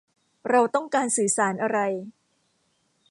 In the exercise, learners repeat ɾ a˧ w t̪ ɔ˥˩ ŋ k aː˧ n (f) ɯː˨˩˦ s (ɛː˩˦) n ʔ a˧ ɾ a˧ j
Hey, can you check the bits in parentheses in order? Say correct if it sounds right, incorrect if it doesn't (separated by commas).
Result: incorrect, incorrect